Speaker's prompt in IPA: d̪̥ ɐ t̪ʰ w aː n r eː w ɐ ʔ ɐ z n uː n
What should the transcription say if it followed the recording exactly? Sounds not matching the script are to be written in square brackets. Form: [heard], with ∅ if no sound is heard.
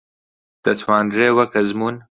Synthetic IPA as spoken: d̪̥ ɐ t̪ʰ w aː n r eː w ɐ [k] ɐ z [m] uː n